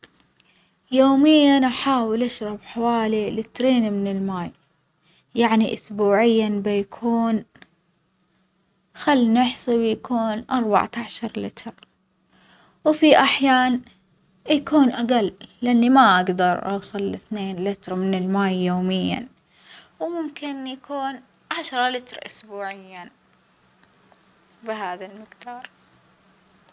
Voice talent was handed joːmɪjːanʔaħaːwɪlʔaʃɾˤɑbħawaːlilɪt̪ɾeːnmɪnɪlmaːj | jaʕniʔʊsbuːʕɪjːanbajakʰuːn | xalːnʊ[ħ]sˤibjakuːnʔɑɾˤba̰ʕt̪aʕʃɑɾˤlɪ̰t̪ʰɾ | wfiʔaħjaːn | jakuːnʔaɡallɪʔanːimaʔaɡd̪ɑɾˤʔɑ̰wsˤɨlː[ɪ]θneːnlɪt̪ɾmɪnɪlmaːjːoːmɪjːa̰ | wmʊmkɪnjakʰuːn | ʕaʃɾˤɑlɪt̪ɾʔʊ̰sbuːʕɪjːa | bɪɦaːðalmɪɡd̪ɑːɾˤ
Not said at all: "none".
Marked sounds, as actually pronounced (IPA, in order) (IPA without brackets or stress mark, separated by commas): ħ, ɪ